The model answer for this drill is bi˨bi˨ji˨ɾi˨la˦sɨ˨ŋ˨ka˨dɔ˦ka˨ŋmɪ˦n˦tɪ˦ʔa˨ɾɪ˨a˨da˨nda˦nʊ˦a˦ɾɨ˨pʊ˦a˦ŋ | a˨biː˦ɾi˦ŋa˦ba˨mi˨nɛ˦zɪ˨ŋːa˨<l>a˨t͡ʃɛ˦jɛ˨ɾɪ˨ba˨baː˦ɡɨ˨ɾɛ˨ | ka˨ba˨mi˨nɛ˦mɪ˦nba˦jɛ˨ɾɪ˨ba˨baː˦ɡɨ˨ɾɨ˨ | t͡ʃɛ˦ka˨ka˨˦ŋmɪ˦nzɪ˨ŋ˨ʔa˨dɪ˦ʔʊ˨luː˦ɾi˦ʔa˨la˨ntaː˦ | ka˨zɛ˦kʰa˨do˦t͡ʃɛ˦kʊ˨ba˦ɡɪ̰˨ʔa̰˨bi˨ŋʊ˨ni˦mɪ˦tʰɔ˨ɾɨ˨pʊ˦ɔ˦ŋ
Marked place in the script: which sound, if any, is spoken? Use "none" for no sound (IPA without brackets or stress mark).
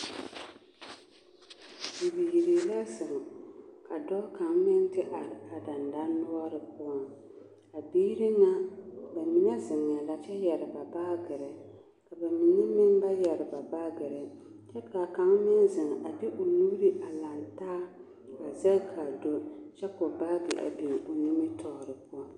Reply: l